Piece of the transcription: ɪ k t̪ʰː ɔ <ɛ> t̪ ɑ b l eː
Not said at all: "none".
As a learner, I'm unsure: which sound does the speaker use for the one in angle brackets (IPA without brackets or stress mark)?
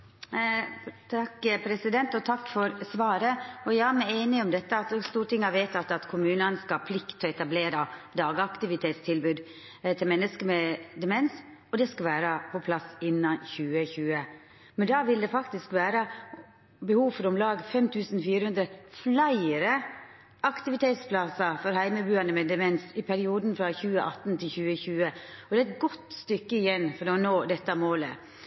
ɛ